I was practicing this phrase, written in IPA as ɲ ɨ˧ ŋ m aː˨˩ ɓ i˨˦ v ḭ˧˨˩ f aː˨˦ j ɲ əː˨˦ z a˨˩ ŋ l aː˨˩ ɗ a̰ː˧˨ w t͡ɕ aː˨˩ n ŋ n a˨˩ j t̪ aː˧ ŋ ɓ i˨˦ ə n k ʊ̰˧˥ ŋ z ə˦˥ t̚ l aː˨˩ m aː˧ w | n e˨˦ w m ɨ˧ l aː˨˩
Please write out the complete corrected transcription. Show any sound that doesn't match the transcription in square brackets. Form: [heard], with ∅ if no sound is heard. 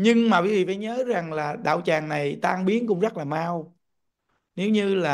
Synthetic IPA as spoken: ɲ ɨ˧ ŋ m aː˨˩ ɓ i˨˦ v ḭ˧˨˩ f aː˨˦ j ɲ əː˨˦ z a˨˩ ŋ l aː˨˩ ɗ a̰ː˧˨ w t͡ɕ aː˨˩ [∅] ŋ n a˨˩ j t̪ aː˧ ŋ ɓ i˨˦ ə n k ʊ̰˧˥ [ŋ͡m] z ə˦˥ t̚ l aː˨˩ m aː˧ w | n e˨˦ w [ɲ] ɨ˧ l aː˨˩